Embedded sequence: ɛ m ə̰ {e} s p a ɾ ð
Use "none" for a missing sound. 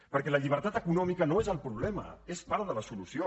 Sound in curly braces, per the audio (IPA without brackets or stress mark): e